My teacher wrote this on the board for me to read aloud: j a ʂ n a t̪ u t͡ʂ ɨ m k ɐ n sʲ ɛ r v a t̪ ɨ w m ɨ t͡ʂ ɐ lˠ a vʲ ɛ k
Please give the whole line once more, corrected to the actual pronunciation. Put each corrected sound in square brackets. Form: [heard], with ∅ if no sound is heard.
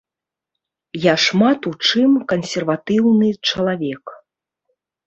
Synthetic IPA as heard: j a ʂ [m] a t̪ u t͡ʂ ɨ m k ɐ n sʲ ɛ r v a t̪ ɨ w [n] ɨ t͡ʂ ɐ lˠ a vʲ ɛ k